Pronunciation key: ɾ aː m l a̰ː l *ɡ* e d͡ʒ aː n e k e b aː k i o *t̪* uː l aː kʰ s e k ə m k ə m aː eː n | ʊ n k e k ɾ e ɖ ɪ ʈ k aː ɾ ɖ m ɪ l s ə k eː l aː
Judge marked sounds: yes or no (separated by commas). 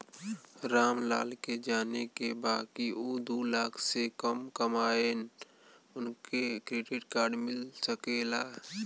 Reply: no, no